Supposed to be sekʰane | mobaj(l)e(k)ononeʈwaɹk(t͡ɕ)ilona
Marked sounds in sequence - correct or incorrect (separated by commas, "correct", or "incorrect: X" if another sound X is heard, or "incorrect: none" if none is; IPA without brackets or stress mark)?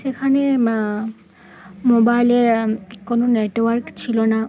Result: correct, correct, incorrect: t͡ɕʰ